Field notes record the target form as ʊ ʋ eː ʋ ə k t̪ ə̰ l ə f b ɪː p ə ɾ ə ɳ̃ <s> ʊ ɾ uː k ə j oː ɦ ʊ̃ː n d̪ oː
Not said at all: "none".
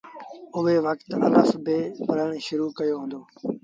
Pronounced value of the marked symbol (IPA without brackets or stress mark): ʃ